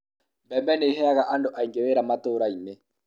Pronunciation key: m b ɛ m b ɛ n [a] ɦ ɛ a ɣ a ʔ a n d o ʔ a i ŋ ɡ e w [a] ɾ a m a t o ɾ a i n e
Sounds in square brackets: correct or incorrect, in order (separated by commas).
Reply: incorrect, incorrect